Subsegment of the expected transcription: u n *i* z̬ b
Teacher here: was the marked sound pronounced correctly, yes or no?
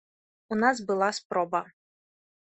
no